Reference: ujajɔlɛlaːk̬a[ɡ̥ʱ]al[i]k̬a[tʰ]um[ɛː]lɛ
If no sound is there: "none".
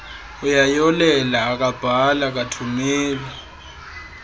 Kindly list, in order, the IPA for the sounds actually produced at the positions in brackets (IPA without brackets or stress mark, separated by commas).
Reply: b̥ʱ, a, tʰ, ɛː